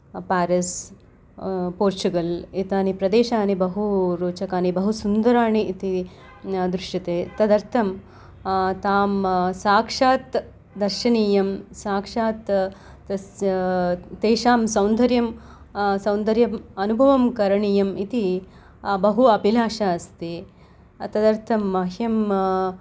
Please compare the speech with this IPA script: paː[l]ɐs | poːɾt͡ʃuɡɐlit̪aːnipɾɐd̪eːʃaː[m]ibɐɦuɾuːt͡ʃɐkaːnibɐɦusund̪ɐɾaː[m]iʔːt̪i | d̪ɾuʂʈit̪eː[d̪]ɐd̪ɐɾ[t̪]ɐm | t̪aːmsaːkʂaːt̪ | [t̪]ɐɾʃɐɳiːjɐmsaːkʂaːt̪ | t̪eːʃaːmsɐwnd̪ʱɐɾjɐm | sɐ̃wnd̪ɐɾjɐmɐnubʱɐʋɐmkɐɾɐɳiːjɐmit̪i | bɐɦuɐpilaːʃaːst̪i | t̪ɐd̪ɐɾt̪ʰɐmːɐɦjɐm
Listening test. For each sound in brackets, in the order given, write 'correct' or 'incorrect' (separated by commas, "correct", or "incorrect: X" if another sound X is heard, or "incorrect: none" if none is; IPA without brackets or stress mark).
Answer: incorrect: ɾ, incorrect: n, incorrect: ɳ, incorrect: t̪, incorrect: t̪ʰ, incorrect: d̪